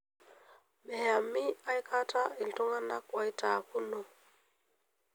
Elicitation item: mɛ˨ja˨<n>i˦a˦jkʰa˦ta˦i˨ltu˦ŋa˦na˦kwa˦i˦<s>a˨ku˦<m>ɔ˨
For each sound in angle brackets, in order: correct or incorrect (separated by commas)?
incorrect, incorrect, incorrect